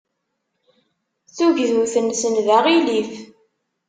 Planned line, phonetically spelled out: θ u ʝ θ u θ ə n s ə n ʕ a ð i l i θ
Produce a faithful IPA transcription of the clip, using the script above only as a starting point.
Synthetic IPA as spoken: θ u ʝ ð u θ ə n s ə n ð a ʁ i l i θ

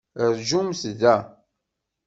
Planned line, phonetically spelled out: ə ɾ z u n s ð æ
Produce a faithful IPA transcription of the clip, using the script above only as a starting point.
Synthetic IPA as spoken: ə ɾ ʒ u m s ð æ

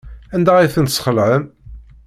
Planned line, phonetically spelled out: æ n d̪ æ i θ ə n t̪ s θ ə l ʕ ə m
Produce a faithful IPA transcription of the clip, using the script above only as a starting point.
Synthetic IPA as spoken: æ n d̪ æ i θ ə n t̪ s χ ə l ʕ ə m

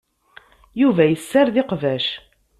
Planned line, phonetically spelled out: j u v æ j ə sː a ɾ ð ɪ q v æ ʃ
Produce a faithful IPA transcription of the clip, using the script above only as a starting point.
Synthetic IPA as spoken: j u v æ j ə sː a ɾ ð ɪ q v æ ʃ

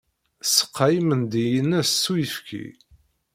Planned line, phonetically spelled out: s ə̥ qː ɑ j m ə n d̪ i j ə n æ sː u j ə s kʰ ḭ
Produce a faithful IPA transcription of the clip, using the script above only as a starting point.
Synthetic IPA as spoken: s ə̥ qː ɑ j m ə n d̪ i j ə n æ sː u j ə f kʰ ḭ

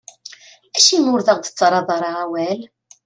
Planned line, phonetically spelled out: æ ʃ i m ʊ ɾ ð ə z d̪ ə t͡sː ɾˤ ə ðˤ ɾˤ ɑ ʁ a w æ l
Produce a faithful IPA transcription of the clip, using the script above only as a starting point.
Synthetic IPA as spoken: æ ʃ i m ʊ ɾ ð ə ʁ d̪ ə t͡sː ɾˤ ɑ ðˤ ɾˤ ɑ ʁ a w æ l

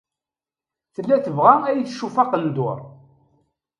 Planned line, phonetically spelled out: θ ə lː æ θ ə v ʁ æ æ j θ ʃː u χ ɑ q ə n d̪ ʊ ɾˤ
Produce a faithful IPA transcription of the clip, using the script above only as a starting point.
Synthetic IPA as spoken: θ ə lː æ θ ə v ʁ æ æ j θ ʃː u f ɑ q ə n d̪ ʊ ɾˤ

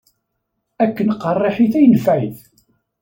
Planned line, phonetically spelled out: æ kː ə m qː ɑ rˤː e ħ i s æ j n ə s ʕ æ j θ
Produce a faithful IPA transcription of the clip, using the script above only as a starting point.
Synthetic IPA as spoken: æ kː ə n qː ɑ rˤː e ħ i θ æ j n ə f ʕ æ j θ

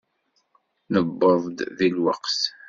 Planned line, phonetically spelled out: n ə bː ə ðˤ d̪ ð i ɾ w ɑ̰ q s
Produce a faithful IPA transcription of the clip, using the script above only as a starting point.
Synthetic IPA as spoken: n ə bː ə ðˤ d̪ ð i l w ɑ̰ q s

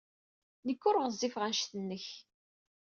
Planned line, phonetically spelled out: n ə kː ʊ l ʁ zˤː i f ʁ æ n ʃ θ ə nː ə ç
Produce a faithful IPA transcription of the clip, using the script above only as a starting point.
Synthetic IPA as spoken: n ə kː ʊ ɾ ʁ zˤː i f ʁ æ n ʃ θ ə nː ə ç

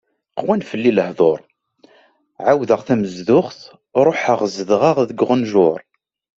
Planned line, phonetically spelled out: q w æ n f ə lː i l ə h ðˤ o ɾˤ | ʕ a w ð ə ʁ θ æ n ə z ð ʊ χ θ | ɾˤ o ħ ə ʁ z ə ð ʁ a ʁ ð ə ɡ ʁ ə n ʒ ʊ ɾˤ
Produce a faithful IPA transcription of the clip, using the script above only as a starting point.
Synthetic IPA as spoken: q w æ n f ə lː i l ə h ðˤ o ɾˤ | ʕ a w ð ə ʁ θ æ m ə z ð ʊ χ θ | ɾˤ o ħ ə ʁ z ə ð ʁ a ʁ ð ə ɡ ʁ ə n ʒ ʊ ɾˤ

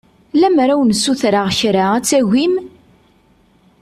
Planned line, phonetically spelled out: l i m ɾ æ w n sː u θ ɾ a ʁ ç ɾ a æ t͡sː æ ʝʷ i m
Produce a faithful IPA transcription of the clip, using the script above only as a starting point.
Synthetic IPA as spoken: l æ m ɾ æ w n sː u θ ɾ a ʁ ç ɾ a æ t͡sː æ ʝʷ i m

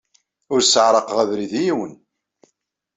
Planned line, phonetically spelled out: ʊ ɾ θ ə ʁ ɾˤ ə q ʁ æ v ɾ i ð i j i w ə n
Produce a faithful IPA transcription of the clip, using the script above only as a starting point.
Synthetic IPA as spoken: ʊ ɾ s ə ʕ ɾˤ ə q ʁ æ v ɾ i ð i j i w ə n

